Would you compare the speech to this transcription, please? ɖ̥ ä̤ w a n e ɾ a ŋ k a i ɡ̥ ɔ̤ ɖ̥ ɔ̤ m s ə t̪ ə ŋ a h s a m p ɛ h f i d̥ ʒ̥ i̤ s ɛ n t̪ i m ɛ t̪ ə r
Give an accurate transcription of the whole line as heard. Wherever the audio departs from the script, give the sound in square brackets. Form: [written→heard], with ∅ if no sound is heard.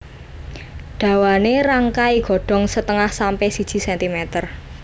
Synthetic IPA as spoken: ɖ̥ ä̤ w a n e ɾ a ŋ k a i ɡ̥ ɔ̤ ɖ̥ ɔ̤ [m→ŋ] s ə t̪ ə ŋ a h s a m p ɛ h [f→s] i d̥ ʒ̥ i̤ s ɛ n t̪ i m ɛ t̪ ə r